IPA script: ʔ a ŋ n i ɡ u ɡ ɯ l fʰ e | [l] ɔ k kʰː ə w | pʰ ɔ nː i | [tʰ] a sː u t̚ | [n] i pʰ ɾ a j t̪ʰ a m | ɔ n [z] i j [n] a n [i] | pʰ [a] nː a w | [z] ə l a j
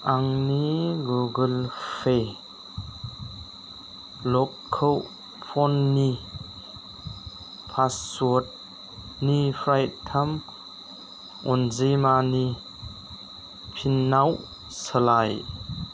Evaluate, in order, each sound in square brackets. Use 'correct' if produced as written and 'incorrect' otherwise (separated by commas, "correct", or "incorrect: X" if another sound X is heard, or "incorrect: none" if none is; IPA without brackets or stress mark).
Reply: correct, incorrect: pʰ, correct, correct, incorrect: m, correct, incorrect: i, incorrect: s